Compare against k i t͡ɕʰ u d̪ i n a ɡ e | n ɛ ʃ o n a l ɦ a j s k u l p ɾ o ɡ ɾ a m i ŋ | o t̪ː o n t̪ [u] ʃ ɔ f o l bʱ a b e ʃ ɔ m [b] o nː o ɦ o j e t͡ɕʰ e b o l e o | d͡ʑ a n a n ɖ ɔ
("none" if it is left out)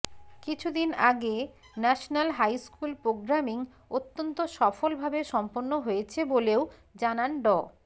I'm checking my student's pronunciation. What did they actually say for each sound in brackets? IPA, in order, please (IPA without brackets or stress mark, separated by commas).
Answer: o, p